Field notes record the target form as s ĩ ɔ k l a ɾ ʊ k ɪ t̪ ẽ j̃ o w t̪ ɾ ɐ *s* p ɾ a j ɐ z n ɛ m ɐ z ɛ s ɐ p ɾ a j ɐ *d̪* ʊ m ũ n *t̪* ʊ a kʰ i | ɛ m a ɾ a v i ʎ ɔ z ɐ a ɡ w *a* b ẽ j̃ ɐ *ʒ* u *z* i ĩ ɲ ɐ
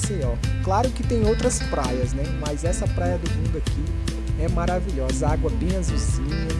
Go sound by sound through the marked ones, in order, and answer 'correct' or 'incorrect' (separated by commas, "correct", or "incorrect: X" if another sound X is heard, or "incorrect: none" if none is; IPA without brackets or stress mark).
correct, correct, incorrect: d̪, incorrect: ɐ, incorrect: z, correct